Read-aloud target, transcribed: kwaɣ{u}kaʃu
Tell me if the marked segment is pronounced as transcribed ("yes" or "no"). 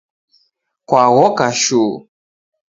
no